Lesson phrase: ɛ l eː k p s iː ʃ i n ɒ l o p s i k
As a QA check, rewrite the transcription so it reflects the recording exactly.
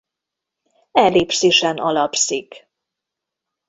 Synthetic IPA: ɛ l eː p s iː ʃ ɛ n ɒ l ɒ p s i k